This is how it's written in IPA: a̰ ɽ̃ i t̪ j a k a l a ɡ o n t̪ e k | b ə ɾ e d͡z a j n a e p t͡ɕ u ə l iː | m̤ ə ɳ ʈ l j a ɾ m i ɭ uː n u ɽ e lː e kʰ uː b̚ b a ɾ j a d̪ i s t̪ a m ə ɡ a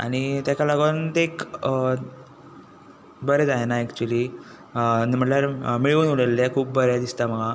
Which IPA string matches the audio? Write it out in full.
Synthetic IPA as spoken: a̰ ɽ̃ i t̪ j a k a l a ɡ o n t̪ e k | b ə ɾ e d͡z a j n a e k t͡ɕ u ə l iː | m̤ ə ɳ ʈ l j a ɾ m i ɭ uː n u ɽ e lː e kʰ uː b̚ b ə ɾ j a d̪ i s t̪ a m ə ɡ a